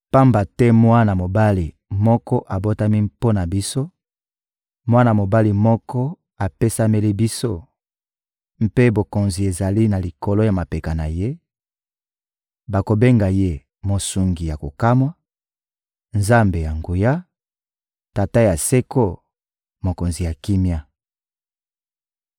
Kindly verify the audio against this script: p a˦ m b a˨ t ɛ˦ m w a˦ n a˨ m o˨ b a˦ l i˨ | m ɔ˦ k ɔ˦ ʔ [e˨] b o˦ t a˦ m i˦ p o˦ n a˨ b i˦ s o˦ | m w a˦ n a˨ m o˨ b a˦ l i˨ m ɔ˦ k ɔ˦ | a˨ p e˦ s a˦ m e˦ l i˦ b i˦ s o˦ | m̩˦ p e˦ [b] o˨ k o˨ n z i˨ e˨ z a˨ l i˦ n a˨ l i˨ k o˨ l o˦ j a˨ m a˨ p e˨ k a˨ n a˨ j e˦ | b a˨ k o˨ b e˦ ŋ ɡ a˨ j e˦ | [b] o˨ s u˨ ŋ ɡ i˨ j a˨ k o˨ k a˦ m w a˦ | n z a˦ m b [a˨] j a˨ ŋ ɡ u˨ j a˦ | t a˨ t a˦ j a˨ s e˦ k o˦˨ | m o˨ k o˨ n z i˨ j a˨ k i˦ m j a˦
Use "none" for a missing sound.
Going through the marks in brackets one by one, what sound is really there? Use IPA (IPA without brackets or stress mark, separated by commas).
a˨, b, m, e˨